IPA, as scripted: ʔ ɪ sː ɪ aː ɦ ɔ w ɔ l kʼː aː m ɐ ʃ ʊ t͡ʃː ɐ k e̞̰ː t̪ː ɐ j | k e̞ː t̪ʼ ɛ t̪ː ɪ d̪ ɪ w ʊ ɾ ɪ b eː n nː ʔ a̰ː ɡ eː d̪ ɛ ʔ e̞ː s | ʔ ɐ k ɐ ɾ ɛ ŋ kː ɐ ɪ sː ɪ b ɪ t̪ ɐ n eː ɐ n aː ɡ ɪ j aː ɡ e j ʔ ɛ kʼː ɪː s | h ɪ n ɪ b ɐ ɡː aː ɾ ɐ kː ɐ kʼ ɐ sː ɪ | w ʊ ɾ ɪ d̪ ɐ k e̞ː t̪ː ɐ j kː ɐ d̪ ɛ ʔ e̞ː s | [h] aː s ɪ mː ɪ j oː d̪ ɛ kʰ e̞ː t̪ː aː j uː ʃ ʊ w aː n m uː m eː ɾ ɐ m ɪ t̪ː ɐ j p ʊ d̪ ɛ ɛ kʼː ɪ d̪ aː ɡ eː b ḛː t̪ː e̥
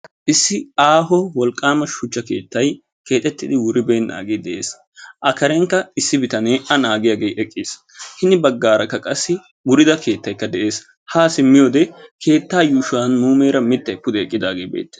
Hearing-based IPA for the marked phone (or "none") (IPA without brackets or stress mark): h